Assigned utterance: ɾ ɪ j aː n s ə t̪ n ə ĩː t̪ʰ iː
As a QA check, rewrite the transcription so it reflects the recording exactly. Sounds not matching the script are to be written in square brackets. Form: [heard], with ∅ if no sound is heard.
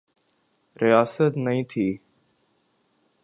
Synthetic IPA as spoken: ɾ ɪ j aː [∅] s ə t̪ n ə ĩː t̪ʰ iː